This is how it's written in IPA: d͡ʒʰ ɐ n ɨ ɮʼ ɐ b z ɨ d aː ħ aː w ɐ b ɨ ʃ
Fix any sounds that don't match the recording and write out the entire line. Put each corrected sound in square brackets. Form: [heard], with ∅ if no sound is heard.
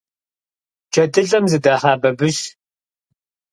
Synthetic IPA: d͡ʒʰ ɐ [d] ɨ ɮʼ ɐ [m] z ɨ d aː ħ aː [b] ɐ b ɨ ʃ